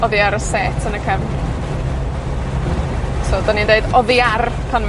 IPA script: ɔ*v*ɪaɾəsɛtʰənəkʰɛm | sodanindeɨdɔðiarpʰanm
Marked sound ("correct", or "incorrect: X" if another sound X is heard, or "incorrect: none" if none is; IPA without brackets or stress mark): incorrect: ð